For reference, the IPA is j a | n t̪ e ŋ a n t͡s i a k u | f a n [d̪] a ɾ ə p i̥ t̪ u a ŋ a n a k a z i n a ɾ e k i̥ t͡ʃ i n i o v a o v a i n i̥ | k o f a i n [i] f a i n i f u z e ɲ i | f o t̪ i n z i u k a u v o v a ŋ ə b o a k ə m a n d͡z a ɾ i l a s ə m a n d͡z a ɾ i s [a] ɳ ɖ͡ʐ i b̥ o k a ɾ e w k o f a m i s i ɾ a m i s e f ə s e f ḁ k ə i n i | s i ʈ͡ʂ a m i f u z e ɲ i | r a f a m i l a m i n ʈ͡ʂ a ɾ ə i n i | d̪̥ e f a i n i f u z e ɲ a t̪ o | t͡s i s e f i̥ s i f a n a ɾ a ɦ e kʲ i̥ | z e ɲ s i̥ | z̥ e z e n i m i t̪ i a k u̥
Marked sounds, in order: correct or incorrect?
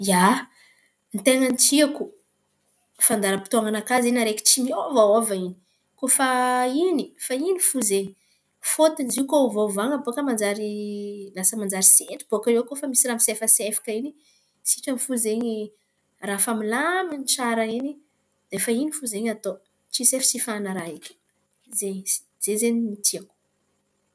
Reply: correct, correct, incorrect: e

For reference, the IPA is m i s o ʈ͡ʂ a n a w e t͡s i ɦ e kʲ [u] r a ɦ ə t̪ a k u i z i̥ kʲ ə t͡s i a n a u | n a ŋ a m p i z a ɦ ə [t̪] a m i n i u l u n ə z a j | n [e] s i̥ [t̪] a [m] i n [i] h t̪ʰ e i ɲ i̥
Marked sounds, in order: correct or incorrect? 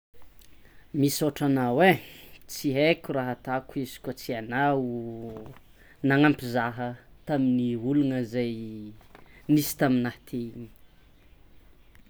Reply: correct, correct, incorrect: i, correct, correct, incorrect: a

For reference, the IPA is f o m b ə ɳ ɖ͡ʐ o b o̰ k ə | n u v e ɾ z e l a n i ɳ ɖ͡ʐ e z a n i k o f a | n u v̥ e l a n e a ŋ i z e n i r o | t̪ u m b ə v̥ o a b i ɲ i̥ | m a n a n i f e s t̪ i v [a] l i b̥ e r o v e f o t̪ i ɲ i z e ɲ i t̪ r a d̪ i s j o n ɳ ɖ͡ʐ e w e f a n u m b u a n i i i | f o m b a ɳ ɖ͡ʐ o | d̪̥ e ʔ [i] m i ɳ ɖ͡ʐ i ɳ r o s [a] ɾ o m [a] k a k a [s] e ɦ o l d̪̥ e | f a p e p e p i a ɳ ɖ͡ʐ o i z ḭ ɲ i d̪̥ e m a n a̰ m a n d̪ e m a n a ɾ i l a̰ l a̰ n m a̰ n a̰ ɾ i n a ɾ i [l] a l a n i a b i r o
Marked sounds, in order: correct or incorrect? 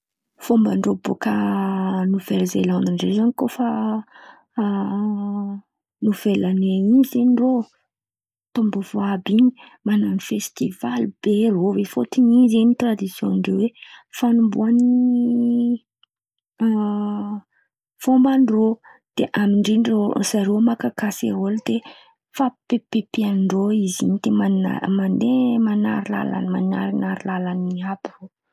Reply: correct, incorrect: a, correct, correct, correct, correct

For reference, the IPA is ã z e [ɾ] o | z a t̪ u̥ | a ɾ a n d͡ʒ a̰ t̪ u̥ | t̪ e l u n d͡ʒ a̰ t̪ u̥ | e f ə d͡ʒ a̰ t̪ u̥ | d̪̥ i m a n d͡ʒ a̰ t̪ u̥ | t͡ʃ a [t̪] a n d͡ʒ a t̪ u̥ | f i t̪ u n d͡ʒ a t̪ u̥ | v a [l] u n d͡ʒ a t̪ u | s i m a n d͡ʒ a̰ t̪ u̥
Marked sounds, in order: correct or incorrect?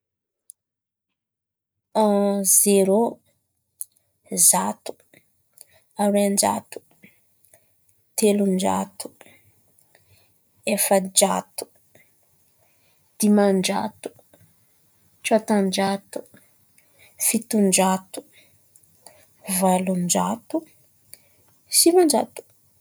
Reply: correct, correct, correct

